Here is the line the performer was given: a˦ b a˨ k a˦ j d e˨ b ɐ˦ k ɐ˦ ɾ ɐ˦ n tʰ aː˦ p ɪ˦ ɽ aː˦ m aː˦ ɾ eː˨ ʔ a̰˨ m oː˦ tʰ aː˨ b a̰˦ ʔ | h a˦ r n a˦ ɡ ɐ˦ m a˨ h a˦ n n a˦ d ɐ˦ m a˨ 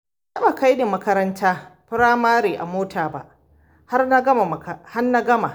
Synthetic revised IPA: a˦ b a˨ k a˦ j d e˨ m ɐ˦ k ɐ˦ ɾ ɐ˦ n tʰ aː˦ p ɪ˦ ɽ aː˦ m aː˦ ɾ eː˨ ʔ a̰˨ m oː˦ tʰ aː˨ b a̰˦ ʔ | h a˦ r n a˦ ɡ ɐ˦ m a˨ h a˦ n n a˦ ɡ ɐ˦ m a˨